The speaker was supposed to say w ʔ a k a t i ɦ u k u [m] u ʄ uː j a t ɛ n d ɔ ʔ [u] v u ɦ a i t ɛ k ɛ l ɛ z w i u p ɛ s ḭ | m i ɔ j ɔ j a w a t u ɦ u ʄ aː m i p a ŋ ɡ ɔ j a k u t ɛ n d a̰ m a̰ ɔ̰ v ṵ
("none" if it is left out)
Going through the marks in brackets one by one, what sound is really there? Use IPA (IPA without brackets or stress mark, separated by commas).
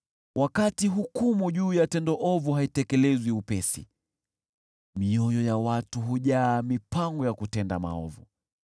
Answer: m, ɔ